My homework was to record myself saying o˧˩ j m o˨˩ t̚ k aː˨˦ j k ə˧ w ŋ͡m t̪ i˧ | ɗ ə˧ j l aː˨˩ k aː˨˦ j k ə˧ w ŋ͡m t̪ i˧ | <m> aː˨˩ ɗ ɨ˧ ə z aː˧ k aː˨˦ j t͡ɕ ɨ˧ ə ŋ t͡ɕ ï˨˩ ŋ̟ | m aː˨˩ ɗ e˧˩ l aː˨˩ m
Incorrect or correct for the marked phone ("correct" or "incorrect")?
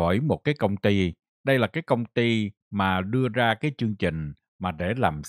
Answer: correct